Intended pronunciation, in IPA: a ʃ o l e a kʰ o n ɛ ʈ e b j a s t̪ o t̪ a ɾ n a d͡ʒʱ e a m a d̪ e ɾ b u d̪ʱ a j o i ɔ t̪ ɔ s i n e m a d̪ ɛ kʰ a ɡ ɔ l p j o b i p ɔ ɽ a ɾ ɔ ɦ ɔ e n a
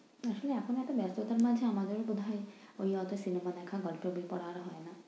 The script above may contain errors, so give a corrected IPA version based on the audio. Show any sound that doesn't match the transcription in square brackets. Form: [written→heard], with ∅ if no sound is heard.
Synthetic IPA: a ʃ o l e a kʰ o n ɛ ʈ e b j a s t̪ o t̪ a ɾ [n→m] a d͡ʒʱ e a m a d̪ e ɾ b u d̪ʱ a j o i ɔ t̪ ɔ s i n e m a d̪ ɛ kʰ a ɡ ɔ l p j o b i p ɔ ɽ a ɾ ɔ ɦ ɔ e n a